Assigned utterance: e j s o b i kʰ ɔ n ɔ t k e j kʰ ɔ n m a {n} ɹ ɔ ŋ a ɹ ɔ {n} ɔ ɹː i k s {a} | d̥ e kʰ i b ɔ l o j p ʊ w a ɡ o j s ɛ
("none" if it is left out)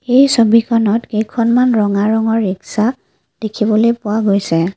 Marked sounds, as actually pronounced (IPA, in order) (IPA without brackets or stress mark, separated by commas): n, ŋ, a